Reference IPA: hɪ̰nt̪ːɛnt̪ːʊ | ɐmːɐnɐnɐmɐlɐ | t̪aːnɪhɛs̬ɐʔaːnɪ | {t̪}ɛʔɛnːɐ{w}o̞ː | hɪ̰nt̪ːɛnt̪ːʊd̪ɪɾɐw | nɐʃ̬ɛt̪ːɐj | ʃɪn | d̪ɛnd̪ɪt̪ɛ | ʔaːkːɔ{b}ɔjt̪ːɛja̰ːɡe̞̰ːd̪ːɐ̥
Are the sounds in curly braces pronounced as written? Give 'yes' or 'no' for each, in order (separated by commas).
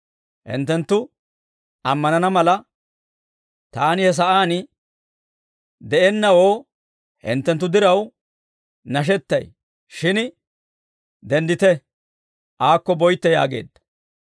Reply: no, yes, yes